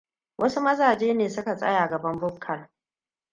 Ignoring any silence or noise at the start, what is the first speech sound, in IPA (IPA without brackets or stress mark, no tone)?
w